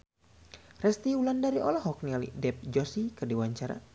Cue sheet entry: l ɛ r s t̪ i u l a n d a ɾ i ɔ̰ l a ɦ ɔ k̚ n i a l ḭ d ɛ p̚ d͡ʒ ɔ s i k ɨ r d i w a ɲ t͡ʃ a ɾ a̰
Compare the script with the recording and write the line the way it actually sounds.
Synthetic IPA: r ɛ s t̪ i u l a n d a ɾ i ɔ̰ l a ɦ ɔ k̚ n i a l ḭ d ɛ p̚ d͡ʒ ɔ s i k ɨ r d i w a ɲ t͡ʃ a ɾ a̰